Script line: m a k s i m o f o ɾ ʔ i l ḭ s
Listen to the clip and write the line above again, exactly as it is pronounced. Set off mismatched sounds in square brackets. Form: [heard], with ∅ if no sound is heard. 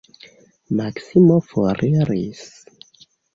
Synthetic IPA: m a k s i m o f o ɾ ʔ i [ɾ] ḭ s